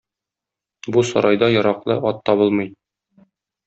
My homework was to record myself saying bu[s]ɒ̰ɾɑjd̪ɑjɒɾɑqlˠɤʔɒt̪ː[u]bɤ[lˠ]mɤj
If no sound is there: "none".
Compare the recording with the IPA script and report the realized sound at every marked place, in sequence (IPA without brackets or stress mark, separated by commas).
s, ɒ, lˠ